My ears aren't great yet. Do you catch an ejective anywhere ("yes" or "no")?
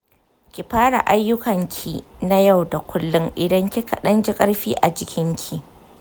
yes